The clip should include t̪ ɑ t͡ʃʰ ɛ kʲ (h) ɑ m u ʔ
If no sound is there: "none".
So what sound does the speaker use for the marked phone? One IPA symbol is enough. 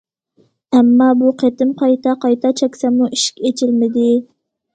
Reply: s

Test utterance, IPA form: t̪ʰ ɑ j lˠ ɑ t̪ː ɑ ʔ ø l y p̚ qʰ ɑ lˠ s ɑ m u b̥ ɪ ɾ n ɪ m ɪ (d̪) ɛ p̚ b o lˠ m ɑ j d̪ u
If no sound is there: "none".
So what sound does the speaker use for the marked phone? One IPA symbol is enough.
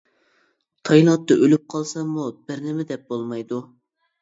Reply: d̪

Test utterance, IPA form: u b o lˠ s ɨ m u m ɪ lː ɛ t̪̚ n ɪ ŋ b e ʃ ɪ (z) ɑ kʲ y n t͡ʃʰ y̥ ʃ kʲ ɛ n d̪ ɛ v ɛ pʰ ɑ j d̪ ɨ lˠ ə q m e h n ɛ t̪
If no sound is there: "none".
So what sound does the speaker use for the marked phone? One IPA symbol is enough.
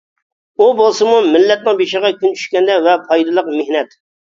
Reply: ʁ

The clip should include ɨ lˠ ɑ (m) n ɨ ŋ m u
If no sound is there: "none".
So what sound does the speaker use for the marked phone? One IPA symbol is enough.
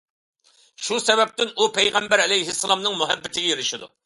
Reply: m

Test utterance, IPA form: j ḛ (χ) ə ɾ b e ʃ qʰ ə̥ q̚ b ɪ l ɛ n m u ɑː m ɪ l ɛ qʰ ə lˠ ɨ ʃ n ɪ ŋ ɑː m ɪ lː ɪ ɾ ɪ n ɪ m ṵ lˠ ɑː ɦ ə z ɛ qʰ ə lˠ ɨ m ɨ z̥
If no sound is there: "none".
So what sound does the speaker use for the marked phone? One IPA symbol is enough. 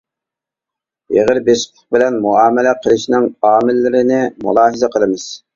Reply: ʁ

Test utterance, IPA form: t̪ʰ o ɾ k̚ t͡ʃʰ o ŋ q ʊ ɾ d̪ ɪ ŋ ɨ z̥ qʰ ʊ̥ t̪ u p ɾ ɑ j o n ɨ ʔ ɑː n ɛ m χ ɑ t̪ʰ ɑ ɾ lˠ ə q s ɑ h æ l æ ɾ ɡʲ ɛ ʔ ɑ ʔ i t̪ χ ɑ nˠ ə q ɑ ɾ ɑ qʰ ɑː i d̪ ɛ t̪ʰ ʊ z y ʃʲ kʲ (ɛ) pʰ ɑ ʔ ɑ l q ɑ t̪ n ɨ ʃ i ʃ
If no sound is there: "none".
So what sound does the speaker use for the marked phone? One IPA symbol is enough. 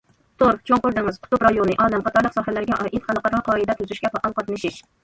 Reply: ɛ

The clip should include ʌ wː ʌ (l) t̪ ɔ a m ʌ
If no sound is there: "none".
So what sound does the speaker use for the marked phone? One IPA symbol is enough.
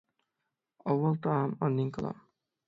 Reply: l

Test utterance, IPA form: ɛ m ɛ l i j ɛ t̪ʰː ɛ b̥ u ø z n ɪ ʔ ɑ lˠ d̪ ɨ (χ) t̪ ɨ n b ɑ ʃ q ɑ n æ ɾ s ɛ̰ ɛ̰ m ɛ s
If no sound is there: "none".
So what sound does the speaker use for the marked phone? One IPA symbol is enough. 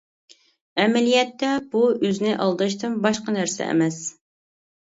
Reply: ʃ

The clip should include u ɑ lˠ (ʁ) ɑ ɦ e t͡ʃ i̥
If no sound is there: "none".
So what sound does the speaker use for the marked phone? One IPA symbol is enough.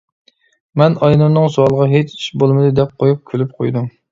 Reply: ʁ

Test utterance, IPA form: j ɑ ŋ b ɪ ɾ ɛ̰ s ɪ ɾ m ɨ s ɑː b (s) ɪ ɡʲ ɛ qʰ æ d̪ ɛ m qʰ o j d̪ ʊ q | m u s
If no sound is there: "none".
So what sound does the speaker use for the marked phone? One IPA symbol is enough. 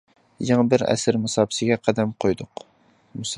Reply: s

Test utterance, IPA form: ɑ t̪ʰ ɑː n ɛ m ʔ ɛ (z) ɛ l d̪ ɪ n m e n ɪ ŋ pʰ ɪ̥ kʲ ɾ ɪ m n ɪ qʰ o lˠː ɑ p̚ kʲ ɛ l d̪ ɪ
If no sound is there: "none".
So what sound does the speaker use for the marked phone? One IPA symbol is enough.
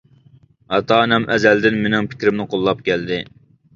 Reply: z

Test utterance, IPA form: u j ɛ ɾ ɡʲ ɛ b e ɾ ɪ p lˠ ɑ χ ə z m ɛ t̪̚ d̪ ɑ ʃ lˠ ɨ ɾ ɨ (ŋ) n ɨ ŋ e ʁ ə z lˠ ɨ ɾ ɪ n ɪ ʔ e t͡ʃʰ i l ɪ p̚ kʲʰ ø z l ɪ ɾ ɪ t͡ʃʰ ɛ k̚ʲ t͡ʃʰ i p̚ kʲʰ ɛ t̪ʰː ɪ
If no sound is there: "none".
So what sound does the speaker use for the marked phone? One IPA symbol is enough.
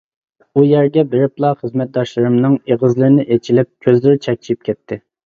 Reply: m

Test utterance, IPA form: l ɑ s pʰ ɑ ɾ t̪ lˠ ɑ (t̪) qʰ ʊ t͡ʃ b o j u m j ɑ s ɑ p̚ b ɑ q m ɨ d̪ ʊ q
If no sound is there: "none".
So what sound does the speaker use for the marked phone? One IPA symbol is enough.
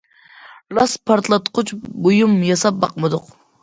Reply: t̪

